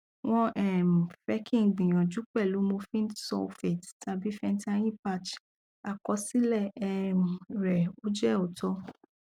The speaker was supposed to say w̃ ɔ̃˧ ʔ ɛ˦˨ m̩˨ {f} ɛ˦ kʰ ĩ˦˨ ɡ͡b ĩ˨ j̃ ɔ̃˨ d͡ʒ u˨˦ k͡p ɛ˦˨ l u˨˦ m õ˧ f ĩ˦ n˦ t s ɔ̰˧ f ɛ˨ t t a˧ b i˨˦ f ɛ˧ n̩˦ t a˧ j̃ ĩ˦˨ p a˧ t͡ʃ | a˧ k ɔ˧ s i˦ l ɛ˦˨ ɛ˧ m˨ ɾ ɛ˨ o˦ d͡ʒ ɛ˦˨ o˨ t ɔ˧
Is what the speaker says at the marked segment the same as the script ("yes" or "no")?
yes